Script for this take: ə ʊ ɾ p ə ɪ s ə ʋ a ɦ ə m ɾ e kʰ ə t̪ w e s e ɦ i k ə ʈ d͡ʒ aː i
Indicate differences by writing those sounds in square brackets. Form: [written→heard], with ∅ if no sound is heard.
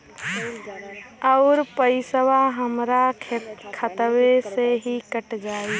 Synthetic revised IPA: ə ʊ ɾ p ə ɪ s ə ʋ a ɦ ə m ɾ [e→a] kʰ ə t̪ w e s e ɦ i k ə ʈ d͡ʒ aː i